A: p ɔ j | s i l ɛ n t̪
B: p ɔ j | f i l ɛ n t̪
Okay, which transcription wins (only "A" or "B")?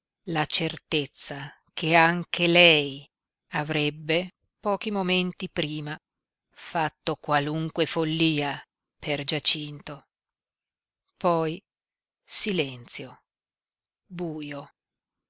A